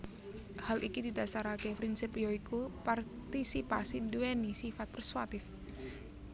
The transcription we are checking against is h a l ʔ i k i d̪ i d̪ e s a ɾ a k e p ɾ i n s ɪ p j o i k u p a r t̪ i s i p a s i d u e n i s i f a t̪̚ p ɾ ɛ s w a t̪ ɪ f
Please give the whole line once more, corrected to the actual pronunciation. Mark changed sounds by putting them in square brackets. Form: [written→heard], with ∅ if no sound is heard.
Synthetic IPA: h a l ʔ i k i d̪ i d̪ [e→a] s a ɾ a k e p ɾ i n s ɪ p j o i k u p a r t̪ i s i p a s i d u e n i s i f a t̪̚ p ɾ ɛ s w a t̪ ɪ f